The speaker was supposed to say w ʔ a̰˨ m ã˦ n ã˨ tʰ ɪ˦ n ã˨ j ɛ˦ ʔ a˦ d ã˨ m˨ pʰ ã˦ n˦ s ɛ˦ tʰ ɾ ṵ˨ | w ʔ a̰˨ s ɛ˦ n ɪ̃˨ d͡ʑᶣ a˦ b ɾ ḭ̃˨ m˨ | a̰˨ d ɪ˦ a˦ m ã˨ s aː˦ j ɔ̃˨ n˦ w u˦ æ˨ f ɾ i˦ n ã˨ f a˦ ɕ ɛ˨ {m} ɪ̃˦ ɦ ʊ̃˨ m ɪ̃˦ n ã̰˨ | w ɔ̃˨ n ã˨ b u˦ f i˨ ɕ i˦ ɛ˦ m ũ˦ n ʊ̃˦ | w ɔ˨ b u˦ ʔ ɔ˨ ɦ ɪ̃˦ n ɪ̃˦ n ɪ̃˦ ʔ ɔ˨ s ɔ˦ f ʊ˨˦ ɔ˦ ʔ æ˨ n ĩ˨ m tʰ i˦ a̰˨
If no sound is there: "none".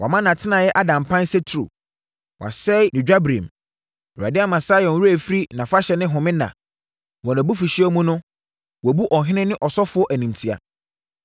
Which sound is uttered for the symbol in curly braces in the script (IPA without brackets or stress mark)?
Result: n